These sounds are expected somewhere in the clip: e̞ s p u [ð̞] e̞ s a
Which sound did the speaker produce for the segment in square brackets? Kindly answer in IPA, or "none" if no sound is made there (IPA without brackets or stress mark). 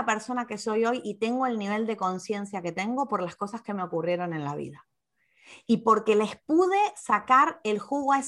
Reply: ð̞